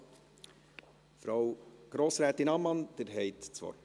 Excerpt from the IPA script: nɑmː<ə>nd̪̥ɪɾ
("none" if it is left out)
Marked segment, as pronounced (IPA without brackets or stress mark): ɑ